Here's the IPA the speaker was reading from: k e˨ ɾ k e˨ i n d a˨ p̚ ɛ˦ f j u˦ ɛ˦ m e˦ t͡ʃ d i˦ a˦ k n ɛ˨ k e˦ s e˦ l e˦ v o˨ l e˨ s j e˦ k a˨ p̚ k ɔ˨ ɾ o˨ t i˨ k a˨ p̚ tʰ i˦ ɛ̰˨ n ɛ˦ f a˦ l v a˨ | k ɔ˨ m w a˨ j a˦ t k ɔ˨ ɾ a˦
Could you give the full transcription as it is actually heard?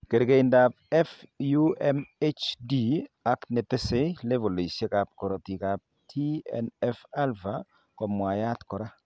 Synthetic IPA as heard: k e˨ ɾ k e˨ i n d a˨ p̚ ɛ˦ f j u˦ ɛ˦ m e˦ t͡ʃ d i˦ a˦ k n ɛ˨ t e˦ s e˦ l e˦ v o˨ l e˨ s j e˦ k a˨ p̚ k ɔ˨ ɾ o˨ t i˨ k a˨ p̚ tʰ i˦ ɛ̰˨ n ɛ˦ f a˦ l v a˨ | k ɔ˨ m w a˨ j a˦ t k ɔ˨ ɾ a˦